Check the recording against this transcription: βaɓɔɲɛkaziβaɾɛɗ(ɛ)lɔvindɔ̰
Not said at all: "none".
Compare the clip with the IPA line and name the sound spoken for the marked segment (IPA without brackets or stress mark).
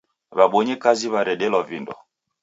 ɛ